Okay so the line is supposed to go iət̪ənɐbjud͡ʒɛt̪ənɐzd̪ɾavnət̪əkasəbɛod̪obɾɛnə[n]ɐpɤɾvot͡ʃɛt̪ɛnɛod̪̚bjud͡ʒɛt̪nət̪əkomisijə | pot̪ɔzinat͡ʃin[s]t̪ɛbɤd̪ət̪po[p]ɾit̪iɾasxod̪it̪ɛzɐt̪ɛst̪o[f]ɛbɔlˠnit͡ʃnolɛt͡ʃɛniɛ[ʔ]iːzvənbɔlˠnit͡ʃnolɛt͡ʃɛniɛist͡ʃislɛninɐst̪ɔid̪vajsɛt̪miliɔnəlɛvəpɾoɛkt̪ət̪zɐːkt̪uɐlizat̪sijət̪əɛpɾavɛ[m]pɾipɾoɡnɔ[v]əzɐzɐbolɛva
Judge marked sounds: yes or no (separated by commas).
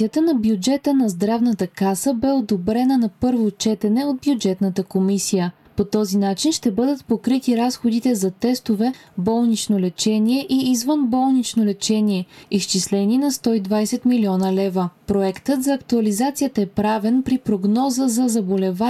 yes, no, no, no, yes, no, no